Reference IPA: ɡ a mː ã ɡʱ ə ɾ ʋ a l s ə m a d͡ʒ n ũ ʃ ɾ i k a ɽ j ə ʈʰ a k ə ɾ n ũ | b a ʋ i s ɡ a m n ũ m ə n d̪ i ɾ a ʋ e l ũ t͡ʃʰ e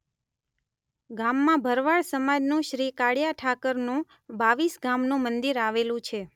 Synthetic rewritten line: ɡ a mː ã bʱ ə ɾ ʋ a ɭ s ə m a d͡ʒ n ũ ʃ ɾ i k a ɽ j a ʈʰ a k ə ɾ n ũ | b a ʋ i s ɡ a m n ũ m ə n d̪ i ɾ a ʋ e l ũ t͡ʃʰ e